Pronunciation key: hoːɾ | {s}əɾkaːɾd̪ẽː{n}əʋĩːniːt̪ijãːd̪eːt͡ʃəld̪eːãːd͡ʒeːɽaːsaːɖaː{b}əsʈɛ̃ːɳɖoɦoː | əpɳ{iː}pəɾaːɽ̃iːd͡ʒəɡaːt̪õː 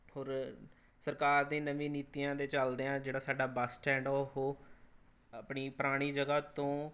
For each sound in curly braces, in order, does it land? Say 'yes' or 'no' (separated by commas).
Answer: yes, yes, yes, yes